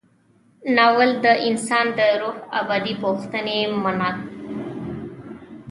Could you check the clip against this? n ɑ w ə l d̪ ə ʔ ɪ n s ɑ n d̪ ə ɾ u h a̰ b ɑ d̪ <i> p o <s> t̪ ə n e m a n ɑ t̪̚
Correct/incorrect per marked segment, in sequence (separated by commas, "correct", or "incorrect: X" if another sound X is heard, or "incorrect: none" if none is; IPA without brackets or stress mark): correct, incorrect: x